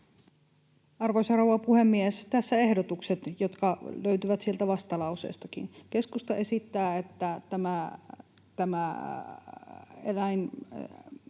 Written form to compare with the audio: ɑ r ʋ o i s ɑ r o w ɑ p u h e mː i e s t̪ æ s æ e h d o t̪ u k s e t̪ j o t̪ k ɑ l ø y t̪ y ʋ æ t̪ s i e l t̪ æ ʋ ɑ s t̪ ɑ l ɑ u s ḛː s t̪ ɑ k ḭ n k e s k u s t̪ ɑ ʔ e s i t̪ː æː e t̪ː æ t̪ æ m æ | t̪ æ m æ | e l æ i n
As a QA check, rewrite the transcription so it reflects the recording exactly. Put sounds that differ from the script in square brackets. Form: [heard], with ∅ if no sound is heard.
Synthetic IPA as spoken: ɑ r ʋ o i s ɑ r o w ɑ p u h e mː i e s t̪ æ [sː] æ e h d o t̪ u k s e t̪ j o t̪ k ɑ l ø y t̪ y ʋ æ t̪ s i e l t̪ æ ʋ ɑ s t̪ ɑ l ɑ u s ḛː s t̪ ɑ k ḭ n k e s k u s t̪ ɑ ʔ e s i t̪ː æː e t̪ː æ t̪ æ m æ | t̪ æ m æ | e l æ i n